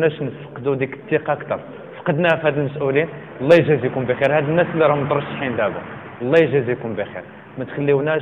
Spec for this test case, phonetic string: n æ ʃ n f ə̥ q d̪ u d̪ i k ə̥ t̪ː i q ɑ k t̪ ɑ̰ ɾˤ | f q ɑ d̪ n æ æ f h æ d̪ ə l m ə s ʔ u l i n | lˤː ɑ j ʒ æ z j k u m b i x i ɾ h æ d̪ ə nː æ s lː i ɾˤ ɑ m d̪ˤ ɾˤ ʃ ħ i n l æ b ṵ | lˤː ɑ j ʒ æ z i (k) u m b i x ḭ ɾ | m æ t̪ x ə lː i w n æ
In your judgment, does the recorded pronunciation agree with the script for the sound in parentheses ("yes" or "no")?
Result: yes